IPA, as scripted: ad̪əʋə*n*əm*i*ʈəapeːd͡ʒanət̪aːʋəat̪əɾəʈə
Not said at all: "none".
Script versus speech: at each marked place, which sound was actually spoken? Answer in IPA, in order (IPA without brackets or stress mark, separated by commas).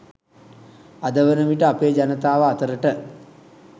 n, i